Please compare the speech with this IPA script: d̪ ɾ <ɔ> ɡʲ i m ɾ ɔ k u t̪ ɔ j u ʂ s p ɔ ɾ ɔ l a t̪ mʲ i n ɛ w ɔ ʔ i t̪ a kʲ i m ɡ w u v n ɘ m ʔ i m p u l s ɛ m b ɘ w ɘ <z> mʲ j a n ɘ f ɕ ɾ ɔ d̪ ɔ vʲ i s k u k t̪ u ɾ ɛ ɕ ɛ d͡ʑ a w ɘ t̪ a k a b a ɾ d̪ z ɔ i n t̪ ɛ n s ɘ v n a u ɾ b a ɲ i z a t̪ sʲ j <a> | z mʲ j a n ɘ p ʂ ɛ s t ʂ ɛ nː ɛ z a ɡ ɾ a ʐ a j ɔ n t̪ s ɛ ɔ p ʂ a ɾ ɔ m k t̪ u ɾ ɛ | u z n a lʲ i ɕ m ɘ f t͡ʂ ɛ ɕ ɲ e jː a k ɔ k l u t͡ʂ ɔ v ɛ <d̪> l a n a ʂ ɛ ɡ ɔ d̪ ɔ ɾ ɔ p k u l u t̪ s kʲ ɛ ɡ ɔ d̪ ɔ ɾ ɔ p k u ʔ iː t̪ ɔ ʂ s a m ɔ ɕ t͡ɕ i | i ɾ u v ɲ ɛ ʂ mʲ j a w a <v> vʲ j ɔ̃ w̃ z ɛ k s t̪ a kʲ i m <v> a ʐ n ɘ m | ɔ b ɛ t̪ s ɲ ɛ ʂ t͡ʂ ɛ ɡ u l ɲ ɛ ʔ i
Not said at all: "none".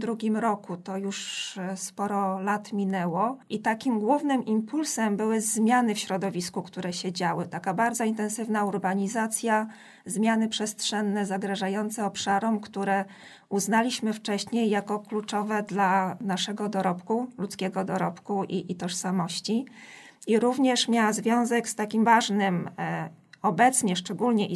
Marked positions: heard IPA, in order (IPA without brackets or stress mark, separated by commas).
u, z, a, d̪, z, v